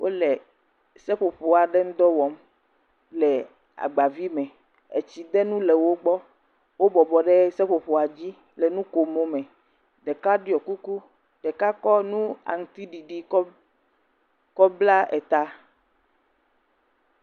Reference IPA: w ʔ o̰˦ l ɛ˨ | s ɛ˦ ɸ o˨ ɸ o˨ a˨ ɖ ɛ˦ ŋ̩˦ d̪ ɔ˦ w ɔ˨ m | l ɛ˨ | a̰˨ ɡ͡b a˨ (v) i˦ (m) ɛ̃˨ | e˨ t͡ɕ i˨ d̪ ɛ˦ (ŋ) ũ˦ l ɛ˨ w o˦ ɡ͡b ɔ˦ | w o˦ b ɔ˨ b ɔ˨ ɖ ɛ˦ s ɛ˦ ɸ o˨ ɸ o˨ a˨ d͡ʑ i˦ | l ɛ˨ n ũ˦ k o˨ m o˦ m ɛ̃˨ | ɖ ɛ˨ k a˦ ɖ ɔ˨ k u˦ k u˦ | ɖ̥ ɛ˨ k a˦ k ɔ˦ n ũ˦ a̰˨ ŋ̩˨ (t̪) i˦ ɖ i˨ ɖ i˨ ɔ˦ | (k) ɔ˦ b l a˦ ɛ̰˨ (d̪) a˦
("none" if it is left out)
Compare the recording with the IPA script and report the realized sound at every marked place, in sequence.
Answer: v, m, n, t̪, k, t̪

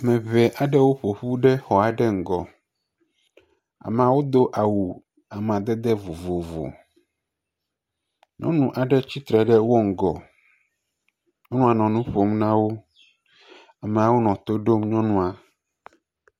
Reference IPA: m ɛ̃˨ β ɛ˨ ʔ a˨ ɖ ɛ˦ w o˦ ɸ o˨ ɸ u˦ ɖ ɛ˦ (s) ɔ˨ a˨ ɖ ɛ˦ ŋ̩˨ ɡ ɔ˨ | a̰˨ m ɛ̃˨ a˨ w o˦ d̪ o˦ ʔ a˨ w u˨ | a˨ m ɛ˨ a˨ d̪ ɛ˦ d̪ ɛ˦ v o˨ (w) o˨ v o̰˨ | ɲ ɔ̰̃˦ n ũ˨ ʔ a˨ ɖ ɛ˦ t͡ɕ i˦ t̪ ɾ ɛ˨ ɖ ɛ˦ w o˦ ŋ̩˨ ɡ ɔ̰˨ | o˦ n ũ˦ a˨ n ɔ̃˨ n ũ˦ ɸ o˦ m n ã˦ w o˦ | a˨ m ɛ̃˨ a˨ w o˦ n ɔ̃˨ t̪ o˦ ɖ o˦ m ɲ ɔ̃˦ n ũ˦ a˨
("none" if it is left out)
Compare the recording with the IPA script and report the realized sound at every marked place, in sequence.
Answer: x, v

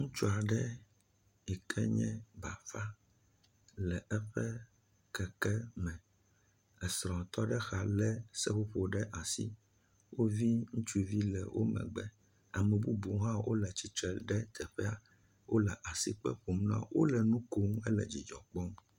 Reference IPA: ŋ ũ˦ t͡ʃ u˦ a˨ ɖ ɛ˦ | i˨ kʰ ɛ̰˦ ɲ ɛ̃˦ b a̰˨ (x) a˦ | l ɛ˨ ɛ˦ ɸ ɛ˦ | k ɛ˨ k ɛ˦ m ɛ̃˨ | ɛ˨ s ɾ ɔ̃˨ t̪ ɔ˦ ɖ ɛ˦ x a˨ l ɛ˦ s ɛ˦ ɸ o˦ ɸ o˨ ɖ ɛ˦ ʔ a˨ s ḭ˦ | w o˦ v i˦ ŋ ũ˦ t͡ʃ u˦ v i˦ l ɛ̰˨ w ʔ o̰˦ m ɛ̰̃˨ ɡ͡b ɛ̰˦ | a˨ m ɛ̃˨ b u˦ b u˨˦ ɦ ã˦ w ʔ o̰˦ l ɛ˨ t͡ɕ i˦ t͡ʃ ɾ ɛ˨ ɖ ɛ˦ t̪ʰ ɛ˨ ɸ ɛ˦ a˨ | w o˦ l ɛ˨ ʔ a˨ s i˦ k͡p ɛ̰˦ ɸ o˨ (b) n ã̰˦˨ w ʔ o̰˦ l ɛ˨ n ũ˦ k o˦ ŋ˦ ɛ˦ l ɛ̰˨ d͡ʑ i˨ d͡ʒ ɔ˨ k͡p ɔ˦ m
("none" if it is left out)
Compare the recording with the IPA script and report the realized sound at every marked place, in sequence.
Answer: f, m

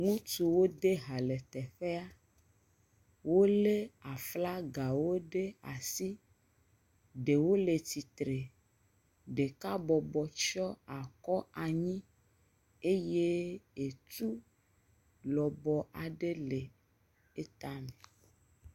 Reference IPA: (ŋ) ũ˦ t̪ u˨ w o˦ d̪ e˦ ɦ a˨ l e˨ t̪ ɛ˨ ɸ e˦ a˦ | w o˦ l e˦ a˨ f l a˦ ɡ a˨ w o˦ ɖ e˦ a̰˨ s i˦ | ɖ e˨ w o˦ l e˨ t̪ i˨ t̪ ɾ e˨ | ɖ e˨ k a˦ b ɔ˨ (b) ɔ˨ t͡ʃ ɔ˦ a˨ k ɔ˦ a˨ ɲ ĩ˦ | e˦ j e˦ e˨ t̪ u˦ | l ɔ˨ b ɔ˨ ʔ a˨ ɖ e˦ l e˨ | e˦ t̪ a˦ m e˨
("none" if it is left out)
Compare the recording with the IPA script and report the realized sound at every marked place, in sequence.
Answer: ŋ, b

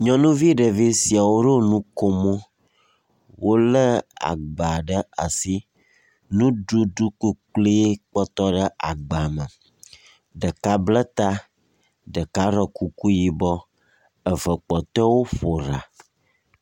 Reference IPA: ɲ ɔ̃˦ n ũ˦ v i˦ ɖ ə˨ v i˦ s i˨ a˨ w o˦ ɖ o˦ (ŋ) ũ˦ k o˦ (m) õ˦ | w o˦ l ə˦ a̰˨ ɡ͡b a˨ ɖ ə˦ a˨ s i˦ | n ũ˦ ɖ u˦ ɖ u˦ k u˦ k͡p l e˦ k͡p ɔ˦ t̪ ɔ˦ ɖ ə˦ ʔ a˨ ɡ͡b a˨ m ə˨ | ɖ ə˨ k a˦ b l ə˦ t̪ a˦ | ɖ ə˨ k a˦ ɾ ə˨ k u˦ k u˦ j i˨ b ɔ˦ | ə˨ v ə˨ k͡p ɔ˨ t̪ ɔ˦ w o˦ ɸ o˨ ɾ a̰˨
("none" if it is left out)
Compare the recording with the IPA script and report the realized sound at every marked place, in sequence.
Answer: n, m

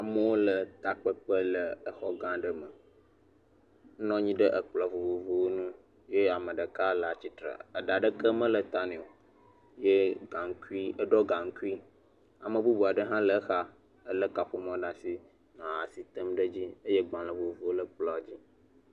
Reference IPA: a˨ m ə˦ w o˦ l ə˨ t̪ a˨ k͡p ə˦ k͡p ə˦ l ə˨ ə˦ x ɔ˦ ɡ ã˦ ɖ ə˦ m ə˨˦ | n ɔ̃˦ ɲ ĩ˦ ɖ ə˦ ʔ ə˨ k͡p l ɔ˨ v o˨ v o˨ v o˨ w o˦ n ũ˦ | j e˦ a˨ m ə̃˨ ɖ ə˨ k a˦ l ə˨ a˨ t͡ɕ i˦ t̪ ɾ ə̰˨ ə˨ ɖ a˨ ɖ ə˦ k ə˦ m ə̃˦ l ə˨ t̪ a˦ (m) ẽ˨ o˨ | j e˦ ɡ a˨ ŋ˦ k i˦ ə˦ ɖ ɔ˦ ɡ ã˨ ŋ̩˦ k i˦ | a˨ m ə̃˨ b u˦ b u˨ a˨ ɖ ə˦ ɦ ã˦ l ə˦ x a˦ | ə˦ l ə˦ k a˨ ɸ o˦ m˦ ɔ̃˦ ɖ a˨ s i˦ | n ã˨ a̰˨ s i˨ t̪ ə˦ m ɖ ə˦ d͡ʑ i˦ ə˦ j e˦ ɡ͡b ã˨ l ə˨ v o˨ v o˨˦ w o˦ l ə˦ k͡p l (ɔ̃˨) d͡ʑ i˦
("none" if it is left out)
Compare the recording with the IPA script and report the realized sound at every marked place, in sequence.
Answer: n, ɔ˨

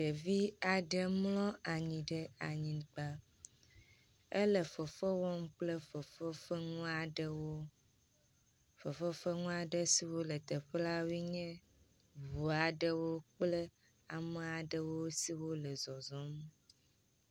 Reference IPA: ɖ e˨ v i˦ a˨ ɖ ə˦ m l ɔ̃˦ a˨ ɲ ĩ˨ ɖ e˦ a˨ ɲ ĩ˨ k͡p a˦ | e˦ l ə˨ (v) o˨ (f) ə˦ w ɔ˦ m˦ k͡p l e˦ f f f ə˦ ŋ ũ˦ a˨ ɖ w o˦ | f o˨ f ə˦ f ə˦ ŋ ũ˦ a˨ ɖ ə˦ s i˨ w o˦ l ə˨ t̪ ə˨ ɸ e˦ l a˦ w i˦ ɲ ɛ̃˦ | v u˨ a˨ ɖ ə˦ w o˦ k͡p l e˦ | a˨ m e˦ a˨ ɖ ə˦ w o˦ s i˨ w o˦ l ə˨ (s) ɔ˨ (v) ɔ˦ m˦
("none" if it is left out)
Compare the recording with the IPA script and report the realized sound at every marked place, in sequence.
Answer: f, f, z, z

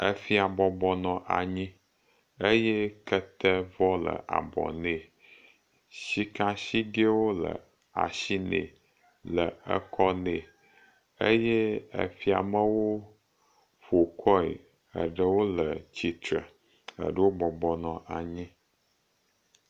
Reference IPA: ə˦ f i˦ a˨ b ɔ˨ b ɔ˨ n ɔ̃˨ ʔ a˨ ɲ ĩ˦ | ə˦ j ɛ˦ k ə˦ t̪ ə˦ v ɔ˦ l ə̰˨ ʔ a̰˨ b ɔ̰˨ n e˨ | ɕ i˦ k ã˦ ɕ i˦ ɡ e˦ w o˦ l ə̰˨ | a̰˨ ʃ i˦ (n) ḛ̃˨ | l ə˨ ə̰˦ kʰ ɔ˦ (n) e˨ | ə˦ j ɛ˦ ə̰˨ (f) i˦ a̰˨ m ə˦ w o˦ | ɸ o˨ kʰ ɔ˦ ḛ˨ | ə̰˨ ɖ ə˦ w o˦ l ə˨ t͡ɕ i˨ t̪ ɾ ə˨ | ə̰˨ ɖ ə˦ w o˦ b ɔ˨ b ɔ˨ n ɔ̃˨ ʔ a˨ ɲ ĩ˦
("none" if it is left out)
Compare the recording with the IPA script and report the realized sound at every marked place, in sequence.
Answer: n, n, f

